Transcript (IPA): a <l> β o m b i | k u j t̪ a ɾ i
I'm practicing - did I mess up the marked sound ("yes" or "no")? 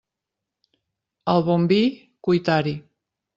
no